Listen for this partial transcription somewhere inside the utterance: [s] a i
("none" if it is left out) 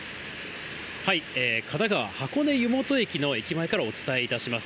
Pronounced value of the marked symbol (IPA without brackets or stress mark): h